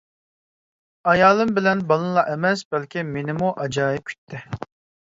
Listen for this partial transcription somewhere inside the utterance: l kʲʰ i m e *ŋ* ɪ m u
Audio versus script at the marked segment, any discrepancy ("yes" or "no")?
yes